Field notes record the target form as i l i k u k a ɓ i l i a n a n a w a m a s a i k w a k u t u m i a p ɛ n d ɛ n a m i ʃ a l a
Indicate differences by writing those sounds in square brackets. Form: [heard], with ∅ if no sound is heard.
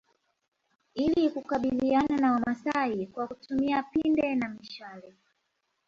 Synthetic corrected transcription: i l i k u k a ɓ i l i a n a n a w a m a s a i k w a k u t u m i a p [i] n d ɛ n a m i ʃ a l [ɛ]

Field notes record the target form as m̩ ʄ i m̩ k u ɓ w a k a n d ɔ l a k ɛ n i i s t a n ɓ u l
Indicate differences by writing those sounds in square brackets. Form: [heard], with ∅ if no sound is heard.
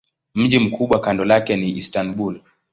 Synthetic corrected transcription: m̩ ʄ i m̩ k u ɓ w a k a n d ɔ l a k ɛ n i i s t a n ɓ u l

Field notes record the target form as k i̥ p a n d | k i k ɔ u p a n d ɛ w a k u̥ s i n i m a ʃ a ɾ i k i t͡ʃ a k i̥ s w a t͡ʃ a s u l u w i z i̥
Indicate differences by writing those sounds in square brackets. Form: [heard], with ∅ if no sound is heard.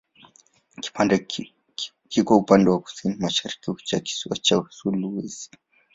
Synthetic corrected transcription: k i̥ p a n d | k i k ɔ u p a n d ɛ w a k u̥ s i n i m a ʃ a ɾ i k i t͡ʃ a k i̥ s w a t͡ʃ a s u l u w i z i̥

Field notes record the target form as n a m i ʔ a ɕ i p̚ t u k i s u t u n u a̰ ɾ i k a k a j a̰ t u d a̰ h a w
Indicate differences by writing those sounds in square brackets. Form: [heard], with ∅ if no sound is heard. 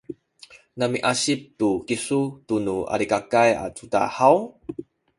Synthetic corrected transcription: n a m i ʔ a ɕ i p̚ t u k i s u t u n u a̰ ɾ i k a k a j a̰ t u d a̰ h a w

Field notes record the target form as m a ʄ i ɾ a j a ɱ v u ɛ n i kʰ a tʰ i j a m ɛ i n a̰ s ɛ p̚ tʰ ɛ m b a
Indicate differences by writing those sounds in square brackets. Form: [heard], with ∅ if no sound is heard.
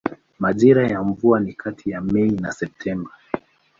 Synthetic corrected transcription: m a ʄ i ɾ a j a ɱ v u [a] n i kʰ a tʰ i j a m ɛ i n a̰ s ɛ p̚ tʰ ɛ m b a

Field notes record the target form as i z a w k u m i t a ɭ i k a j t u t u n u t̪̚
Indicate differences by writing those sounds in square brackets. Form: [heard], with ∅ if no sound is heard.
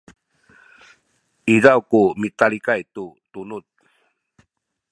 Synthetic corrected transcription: i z a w k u m i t a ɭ i k a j t u t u n u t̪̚

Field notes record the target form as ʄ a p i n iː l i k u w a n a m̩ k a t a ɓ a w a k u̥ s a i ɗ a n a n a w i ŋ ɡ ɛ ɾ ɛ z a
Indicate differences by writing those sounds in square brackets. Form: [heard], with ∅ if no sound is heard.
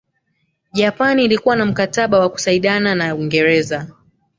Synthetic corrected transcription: ʄ a p [a] n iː l i k u w a n a m̩ k a t a ɓ a w a k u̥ s a i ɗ a n a n a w i ŋ ɡ ɛ ɾ ɛ z a

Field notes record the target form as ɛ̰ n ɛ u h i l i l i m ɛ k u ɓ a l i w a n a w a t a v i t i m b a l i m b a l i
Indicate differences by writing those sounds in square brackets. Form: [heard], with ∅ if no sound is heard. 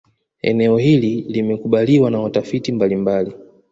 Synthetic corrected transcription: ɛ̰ n ɛ [ɔ] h i l i l i m ɛ k u ɓ a l i w a n a w a t a [f] i t i m b a l i m b a l i

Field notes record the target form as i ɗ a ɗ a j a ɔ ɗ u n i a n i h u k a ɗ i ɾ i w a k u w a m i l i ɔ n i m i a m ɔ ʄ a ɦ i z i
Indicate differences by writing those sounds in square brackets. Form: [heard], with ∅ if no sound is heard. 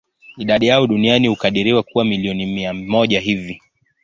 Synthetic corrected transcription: i ɗ a ɗ [i] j a ɔ ɗ u n i a n i h u k a ɗ i ɾ i w a k u w a m i l i ɔ n i m i a m ɔ ʄ a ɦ i [v] i

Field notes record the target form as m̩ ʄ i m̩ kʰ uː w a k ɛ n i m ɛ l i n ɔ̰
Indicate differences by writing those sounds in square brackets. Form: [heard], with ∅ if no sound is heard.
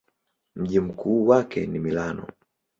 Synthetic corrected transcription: m̩ ʄ i m̩ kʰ uː w a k ɛ n i m [i] l [a] n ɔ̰

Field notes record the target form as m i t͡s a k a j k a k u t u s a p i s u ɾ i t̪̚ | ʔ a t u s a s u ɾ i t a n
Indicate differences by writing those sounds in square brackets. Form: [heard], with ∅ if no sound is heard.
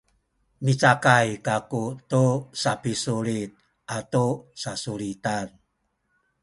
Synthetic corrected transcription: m i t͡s a k a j k a k u t u s a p i s u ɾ i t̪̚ | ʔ a t u s a s u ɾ i t a n

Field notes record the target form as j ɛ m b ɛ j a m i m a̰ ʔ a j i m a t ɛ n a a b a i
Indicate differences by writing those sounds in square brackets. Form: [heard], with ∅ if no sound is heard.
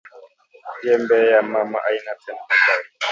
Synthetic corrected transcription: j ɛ m b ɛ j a m [a] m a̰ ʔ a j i [n] a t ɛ n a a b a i

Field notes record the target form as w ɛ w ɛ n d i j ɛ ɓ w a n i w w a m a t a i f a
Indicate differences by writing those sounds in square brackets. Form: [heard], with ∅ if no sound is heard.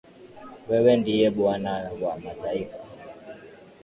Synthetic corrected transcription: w ɛ w ɛ n d i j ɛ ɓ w a n [a] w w a m a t a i f a

